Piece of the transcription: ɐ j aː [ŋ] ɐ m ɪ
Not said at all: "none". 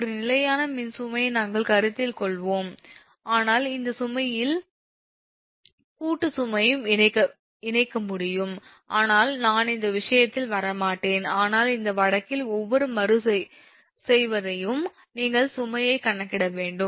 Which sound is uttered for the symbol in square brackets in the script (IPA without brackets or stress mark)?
n